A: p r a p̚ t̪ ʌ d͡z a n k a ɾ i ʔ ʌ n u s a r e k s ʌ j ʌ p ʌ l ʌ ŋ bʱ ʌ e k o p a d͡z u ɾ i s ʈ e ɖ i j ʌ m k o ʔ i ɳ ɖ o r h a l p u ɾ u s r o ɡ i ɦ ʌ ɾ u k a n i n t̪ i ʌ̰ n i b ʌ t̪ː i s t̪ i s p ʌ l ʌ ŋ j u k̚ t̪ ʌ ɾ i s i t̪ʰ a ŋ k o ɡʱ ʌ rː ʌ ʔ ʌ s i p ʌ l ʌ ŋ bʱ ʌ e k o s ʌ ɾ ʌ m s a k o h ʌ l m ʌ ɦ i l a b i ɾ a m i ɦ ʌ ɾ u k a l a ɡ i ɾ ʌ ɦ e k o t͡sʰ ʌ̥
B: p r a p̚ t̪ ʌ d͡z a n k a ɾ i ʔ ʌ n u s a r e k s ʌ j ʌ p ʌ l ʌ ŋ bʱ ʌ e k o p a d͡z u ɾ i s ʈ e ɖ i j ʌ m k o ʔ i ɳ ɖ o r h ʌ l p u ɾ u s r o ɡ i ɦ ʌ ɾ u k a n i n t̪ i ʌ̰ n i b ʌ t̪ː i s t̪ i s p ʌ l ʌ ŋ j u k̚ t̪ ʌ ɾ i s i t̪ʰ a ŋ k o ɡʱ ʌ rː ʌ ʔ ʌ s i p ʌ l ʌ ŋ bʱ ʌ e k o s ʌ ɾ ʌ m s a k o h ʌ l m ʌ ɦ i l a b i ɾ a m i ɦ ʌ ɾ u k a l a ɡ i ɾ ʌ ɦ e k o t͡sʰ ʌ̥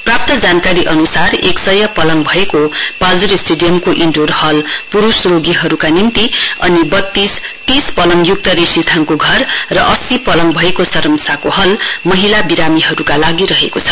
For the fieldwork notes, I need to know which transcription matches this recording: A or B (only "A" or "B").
B